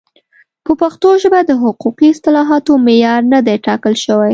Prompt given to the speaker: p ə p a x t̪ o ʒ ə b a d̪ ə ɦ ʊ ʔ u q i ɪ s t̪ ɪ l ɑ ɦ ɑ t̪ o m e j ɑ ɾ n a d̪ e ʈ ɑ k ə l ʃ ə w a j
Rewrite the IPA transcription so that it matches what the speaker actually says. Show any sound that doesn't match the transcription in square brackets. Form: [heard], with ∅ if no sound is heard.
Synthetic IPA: p ə p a x t̪ o ʒ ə b a d̪ ə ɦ ʊ [q] u q i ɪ s t̪ ɪ l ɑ ɦ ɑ t̪ o m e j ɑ ɾ n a d̪ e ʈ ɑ k ə l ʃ ə w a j

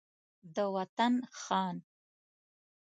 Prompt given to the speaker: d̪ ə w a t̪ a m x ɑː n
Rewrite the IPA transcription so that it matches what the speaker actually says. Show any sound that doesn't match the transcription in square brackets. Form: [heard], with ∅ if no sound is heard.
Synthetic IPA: d̪ ə w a t̪ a [n] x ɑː n

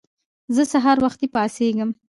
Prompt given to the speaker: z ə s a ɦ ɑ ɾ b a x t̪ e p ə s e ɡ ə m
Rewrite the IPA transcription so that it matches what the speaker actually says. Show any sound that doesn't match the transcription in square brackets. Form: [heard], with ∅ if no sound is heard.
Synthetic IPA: z ə s a ɦ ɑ ɾ [w] a x t̪ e p [ɑ] s e ɡ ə m

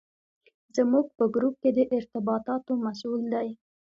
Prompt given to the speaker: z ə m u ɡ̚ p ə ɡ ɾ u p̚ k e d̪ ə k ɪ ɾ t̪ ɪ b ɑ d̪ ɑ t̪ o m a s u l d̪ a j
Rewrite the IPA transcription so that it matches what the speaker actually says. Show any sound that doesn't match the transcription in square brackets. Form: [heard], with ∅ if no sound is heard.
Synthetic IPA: z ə m u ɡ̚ p ə ɡ ɾ u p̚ k e d̪ ə [ʔ] ɪ ɾ t̪ ɪ b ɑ [t̪] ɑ t̪ o m a s u l d̪ a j

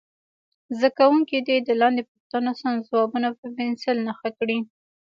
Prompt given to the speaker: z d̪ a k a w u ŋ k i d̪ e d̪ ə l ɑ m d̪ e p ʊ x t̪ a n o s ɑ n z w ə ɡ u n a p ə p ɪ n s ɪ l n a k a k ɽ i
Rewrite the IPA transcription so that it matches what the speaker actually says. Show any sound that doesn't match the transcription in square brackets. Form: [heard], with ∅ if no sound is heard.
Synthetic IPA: z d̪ a k a w u ŋ k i d̪ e d̪ ə l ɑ [n] d̪ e p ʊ x t̪ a n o s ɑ n z w [ɑ] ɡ u n a p ə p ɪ n s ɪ l n a [x] a k ɽ i

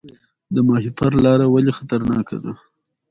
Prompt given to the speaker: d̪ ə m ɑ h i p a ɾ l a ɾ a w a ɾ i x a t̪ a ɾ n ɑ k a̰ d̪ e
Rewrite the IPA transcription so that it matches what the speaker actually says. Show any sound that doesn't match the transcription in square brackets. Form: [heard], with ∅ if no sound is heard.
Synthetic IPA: d̪ ə m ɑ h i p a ɾ l [ɑ] ɾ a w a [l] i x a t̪ a ɾ n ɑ k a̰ d̪ [a]

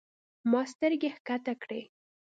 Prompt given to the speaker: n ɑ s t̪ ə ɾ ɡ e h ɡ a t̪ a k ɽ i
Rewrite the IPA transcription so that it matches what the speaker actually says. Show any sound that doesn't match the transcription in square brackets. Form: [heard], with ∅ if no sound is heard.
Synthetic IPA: [m] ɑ s t̪ ə ɾ ɡ e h [k] a t̪ a k ɽ [e]

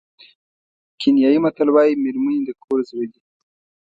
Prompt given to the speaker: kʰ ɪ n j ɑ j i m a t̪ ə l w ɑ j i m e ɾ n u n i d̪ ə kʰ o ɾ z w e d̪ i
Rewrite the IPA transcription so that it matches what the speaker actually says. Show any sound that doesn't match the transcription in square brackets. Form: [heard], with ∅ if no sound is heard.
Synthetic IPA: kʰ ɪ n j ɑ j i m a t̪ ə l w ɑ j i m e ɾ [m] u n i d̪ ə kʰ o ɾ z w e d̪ i

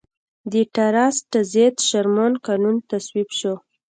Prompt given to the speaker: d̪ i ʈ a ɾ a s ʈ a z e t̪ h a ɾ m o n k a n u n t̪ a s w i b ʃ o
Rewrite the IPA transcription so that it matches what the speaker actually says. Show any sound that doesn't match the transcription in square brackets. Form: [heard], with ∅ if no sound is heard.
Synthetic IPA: d̪ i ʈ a ɾ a s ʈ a z e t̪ [ʃ] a ɾ m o n k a n u n t̪ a s w i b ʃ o

